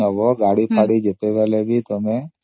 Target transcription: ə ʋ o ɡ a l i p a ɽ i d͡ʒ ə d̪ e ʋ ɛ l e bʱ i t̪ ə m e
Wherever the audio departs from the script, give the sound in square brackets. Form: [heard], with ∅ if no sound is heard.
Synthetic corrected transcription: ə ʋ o ɡ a [ɽ] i p a ɽ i d͡ʒ ə [t̪] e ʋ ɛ l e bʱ i t̪ ə m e